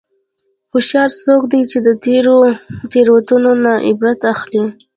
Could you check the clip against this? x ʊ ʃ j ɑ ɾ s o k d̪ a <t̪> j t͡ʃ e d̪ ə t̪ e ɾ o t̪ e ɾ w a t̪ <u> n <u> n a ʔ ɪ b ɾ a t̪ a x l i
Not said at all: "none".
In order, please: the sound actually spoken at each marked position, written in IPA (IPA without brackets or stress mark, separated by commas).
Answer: none, u, o